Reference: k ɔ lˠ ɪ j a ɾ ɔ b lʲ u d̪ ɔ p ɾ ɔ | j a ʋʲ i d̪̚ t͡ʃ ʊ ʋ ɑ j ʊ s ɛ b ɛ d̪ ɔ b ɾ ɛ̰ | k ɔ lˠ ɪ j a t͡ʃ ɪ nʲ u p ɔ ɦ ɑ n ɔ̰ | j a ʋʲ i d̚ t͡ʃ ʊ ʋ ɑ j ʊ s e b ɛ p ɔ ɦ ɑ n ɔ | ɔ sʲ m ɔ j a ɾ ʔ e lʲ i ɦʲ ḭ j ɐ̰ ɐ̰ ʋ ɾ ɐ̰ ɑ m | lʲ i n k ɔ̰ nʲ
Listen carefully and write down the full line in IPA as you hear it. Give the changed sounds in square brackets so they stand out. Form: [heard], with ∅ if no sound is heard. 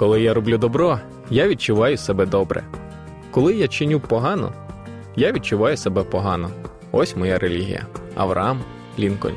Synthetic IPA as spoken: k ɔ lˠ ɪ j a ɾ ɔ b lʲ u d̪ ɔ [b] ɾ ɔ | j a ʋʲ i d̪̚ t͡ʃ ʊ ʋ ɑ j ʊ s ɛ b ɛ d̪ ɔ b ɾ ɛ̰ | k ɔ lˠ ɪ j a t͡ʃ ɪ nʲ u p ɔ ɦ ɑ n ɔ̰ | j a ʋʲ i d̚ t͡ʃ ʊ ʋ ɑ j ʊ s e b ɛ p ɔ ɦ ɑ n ɔ | ɔ sʲ m ɔ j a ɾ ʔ e lʲ i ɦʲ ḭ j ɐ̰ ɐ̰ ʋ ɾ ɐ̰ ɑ m | lʲ i n k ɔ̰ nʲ